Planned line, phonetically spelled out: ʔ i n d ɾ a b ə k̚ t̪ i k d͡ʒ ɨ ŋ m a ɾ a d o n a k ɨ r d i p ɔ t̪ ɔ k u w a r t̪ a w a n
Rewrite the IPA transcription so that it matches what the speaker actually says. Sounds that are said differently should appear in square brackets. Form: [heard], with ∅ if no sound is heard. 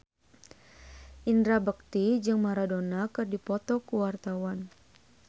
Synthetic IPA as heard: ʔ i n d ɾ a b ə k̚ t̪ i [∅] d͡ʒ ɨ ŋ m a ɾ a d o n a k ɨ r d i p ɔ t̪ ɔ k u w a r t̪ a w a n